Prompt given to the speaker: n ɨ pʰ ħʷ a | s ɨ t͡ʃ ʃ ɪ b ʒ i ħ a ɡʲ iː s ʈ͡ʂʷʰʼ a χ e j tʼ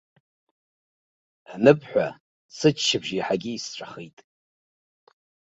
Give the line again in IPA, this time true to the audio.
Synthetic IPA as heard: n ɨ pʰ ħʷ a | s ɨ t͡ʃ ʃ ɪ b ʒ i ħ a ɡʲ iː s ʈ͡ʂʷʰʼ a χ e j tʼ